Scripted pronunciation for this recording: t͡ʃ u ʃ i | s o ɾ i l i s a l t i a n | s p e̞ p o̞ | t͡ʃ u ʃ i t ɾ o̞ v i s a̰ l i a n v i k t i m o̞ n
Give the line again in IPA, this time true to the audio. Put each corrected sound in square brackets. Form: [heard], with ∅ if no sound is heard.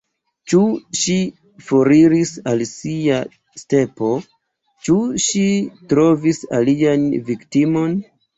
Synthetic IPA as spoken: t͡ʃ u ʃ i | [f] o ɾ i [ɾ] i s a l [s] i a [∅] | s [t] e̞ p o̞ | t͡ʃ u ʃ i t ɾ o̞ v i s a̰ l i a n v i k t i m o̞ n